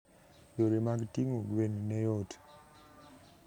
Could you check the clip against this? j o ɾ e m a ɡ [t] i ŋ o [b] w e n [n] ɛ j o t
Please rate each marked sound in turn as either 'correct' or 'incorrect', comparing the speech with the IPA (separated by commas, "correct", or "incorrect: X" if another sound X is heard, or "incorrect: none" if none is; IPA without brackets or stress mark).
correct, incorrect: ɡ, correct